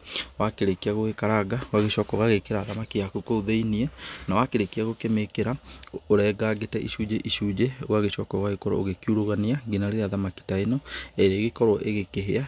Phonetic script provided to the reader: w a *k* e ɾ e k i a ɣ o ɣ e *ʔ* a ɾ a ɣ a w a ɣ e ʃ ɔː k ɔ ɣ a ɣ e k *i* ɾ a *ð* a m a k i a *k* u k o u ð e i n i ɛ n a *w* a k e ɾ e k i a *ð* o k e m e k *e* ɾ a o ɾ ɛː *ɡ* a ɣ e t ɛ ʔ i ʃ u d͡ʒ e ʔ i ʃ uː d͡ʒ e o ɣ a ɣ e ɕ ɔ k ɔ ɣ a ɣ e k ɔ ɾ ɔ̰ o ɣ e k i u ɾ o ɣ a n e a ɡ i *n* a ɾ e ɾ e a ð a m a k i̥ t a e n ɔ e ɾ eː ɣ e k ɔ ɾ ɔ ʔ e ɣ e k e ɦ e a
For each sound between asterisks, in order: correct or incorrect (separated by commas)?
correct, incorrect, incorrect, correct, correct, correct, incorrect, correct, correct, correct